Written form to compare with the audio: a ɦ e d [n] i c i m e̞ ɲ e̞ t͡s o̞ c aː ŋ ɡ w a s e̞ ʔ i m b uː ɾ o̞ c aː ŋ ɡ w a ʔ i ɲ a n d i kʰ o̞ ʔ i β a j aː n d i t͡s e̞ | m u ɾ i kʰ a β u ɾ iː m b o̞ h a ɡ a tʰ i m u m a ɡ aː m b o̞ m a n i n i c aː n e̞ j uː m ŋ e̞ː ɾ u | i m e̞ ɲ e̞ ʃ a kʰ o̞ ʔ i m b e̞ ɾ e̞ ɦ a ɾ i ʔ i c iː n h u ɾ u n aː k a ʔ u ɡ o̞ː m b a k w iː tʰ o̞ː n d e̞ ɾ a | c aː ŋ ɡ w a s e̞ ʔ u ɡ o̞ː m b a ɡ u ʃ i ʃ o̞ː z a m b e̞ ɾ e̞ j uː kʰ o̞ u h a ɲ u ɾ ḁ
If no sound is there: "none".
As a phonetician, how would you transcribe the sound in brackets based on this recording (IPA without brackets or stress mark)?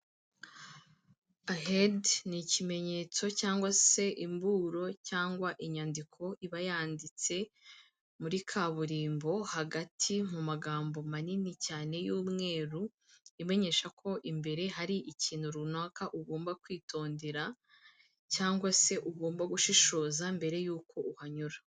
n